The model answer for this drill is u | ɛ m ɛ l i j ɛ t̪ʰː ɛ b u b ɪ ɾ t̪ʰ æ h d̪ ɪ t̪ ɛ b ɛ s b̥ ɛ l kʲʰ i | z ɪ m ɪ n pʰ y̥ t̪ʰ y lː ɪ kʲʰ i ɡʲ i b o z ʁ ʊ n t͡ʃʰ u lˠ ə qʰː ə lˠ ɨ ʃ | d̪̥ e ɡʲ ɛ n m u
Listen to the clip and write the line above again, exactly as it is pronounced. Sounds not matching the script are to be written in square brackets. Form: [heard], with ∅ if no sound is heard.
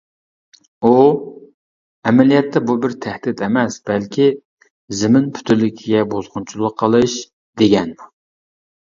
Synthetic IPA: u | ɛ m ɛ l i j ɛ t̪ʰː ɛ b u b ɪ ɾ t̪ʰ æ h d̪ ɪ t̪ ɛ [m] ɛ s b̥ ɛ l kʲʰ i | z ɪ m ɪ n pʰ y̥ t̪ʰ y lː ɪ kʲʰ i ɡʲ [ɛ] b o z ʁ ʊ n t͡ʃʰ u lˠ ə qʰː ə lˠ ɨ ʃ | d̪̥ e ɡʲ ɛ n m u